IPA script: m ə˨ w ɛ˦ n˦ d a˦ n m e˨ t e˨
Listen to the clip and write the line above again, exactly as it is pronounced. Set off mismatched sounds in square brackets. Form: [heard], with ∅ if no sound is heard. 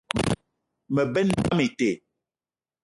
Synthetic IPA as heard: m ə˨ [b] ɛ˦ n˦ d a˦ [∅] m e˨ t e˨